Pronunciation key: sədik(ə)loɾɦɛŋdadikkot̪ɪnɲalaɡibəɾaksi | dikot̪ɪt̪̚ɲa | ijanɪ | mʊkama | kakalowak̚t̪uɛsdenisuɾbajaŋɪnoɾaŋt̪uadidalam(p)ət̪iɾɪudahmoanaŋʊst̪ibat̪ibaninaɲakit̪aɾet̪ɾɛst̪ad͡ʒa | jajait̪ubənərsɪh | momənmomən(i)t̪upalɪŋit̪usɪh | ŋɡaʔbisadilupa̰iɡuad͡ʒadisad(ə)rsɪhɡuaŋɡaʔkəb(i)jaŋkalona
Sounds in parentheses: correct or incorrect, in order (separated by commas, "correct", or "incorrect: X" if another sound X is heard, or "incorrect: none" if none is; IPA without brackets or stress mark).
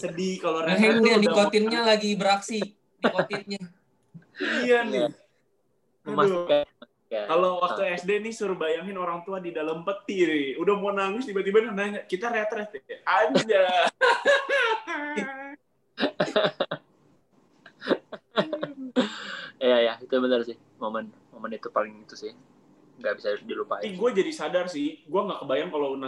incorrect: a, correct, correct, incorrect: a, incorrect: a